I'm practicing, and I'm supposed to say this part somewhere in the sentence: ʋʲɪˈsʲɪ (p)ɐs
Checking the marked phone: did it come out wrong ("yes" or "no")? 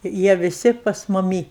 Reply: no